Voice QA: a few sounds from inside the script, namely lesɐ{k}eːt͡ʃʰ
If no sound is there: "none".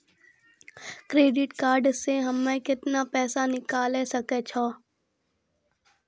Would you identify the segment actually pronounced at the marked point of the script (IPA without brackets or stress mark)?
k